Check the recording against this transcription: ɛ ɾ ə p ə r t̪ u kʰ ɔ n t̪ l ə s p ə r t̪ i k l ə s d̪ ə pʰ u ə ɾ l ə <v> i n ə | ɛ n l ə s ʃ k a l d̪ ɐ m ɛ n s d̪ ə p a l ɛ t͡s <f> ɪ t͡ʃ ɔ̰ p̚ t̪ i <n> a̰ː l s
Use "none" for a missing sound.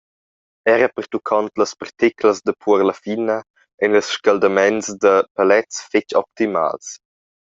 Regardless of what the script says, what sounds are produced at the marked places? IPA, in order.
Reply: f, f, m

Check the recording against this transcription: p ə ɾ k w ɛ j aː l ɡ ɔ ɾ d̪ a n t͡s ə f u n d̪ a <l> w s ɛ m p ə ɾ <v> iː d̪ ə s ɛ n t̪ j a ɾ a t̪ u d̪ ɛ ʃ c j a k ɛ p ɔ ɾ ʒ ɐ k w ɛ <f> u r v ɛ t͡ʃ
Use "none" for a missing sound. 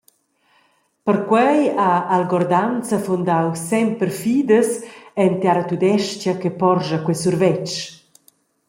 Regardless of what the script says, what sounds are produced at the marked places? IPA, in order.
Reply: none, f, s

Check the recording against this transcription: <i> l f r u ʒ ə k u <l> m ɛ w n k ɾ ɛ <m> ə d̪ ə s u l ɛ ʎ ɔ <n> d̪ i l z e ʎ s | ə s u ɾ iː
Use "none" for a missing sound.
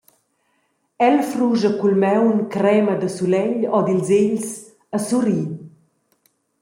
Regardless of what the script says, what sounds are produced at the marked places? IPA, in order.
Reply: ɛ, l, m, none

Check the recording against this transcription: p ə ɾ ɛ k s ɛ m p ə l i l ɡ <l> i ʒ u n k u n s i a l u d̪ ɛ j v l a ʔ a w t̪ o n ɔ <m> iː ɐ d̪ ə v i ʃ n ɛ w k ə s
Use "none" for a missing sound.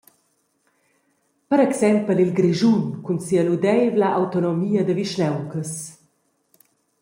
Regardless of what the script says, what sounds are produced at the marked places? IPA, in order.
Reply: ɾ, m

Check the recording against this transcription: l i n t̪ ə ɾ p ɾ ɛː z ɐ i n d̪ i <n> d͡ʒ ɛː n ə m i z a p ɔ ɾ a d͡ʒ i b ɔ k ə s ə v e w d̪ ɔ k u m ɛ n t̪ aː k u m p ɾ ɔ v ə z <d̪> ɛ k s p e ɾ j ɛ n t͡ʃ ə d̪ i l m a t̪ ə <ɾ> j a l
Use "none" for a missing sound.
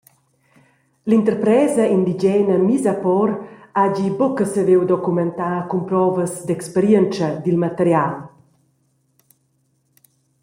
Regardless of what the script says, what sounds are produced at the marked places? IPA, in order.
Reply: none, d̪, ɾ

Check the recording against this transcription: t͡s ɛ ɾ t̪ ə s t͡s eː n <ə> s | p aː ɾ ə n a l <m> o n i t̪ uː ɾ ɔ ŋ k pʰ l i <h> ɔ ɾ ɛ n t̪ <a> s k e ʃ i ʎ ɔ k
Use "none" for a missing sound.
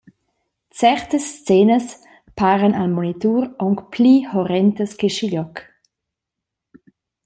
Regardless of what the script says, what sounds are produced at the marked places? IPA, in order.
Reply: ə, m, h, ə

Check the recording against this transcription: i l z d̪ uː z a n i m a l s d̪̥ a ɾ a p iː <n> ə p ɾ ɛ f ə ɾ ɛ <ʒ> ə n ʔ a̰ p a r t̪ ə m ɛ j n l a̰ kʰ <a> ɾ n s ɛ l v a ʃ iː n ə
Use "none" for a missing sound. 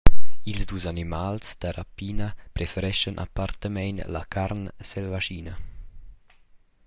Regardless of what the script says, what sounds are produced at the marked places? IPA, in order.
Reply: n, ʃ, a

